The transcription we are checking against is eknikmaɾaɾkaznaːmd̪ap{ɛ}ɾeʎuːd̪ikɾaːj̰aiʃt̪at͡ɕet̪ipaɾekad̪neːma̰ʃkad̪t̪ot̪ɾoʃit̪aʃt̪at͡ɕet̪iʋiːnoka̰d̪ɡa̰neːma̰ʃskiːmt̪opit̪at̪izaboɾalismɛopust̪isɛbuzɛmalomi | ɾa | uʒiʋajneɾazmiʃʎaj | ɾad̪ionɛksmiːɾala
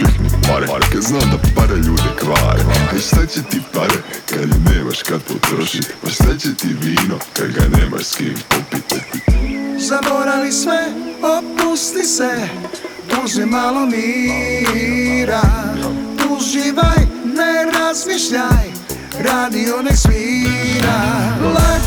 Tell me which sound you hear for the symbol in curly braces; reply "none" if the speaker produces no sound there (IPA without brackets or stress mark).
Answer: a